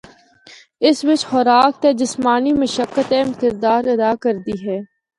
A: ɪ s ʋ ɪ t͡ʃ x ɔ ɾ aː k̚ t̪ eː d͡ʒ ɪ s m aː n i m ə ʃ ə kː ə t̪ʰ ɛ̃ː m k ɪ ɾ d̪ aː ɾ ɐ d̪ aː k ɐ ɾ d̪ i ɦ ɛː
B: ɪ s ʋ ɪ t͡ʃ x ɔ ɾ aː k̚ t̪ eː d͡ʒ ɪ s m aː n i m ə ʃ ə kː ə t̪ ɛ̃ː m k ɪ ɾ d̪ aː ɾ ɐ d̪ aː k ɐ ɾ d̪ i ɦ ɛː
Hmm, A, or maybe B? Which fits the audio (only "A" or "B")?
B